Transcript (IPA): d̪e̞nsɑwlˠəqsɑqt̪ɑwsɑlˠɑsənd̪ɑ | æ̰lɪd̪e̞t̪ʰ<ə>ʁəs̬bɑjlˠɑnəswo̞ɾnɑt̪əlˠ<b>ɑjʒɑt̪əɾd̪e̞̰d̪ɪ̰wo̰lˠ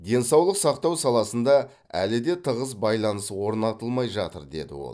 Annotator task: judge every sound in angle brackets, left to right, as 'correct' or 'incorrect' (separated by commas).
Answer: correct, incorrect